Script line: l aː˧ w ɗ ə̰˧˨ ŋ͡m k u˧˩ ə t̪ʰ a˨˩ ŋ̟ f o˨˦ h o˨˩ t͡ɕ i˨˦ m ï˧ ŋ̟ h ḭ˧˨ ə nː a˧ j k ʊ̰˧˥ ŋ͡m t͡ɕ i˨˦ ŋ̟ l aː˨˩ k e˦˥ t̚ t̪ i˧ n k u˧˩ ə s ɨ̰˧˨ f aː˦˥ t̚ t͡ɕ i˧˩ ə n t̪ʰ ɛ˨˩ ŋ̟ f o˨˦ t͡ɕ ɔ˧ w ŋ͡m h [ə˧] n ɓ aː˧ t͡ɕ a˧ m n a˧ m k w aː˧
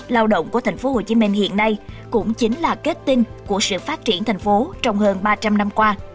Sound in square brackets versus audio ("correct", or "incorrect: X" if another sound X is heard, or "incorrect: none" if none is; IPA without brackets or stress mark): incorrect: əː˧